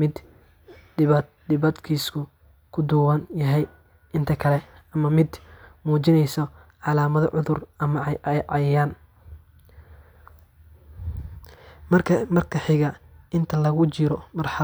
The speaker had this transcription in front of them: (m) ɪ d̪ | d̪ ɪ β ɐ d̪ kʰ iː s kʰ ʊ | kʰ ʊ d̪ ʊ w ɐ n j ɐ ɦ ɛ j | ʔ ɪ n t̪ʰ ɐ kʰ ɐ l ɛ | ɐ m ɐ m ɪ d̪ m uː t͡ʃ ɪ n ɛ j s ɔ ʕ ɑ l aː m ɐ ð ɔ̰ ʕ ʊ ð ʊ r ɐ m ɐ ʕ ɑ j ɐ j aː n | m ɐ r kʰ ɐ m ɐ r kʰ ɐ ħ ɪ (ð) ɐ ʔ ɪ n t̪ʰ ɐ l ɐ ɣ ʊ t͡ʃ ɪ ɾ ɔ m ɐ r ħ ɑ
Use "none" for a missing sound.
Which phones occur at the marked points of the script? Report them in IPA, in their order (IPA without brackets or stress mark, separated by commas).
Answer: m, ɣ